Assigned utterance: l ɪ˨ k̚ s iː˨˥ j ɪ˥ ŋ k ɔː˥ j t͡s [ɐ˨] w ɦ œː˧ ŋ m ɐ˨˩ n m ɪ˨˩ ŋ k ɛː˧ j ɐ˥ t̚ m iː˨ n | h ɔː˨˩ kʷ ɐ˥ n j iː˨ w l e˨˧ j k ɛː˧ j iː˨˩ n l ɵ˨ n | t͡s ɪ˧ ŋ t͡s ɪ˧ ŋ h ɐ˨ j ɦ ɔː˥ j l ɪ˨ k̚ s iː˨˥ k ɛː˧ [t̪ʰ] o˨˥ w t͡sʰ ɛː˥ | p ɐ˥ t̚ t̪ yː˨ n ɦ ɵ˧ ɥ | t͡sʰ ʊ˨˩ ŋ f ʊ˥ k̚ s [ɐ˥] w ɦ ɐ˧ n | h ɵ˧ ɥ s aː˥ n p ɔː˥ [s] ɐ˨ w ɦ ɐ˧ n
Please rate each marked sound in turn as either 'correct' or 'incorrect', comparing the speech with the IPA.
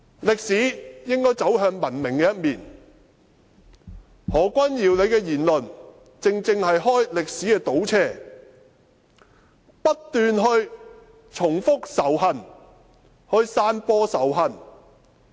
incorrect: ɐ˨˥, incorrect: t̪, incorrect: ɐ˨˩, correct

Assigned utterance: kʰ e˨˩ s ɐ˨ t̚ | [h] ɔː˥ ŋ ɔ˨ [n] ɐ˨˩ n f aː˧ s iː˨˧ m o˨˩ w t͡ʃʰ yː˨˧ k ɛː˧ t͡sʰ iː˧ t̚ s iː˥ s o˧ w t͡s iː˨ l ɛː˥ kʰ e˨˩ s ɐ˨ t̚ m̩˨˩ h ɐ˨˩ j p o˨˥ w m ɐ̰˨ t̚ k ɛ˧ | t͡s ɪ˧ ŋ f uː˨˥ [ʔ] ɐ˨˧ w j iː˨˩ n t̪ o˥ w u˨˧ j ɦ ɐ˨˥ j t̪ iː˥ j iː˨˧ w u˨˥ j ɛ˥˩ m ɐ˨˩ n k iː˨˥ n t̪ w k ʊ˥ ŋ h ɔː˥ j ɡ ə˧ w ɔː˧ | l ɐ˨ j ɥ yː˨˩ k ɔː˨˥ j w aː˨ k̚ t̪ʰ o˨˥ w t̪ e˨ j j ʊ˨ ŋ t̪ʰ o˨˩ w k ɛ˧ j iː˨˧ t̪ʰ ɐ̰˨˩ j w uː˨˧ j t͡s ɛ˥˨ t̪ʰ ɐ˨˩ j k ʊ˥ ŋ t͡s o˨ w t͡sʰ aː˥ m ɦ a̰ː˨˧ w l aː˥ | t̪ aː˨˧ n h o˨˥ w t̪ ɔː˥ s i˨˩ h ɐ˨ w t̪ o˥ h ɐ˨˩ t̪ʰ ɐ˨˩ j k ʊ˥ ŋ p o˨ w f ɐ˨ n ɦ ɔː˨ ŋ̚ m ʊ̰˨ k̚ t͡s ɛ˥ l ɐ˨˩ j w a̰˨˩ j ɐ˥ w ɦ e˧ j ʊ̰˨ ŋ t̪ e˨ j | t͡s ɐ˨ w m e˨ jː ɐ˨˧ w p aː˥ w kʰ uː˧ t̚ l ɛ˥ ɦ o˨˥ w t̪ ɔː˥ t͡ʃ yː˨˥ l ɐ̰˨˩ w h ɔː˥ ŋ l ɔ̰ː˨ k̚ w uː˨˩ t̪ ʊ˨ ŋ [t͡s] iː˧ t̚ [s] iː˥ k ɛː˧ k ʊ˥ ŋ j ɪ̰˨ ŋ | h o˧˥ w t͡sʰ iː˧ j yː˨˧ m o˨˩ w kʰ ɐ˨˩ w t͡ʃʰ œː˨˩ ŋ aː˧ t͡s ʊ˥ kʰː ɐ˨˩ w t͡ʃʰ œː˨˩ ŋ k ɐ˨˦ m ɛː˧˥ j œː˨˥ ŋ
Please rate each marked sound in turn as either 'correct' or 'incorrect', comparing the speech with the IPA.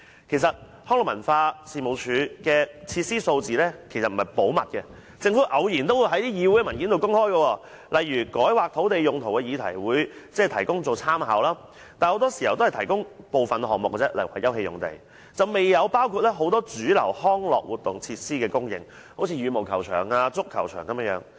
correct, incorrect: m, correct, incorrect: t͡sʰ, correct

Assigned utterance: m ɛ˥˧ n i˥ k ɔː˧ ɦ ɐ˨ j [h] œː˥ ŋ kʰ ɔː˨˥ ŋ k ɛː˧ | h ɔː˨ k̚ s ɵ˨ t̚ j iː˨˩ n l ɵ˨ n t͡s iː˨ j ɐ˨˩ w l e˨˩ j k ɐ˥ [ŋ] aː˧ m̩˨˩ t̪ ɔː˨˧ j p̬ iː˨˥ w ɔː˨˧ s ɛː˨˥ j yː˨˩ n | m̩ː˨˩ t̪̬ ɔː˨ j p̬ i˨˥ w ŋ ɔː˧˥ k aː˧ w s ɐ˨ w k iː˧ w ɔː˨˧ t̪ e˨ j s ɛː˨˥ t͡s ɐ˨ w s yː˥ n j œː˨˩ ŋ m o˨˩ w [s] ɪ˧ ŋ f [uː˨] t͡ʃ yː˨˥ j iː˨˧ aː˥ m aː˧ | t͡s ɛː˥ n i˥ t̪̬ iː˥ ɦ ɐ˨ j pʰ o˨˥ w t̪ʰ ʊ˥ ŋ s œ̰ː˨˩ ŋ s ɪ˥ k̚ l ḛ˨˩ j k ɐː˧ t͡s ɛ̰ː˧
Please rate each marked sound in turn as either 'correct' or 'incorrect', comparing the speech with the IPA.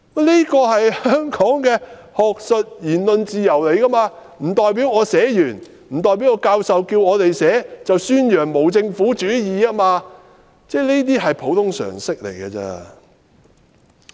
correct, incorrect: m, incorrect: t͡s, incorrect: uː˨˥

